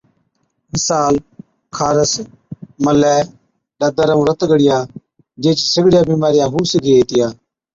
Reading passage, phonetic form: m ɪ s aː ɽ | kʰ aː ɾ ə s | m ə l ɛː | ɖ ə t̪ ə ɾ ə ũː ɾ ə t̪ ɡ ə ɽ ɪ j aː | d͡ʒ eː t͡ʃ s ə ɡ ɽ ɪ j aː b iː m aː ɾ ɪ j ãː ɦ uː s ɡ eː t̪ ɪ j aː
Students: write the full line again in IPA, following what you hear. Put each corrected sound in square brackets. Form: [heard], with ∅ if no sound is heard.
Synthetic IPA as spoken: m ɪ s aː [l] | kʰ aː ɾ ə s | m ə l ɛː | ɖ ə [d̪] ə ɾ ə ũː ɾ ə t̪ ɡ ə ɽ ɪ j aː | d͡ʒ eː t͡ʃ s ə ɡ ɽ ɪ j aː b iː m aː ɾ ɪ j [aː] ɦ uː s ɡ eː t̪ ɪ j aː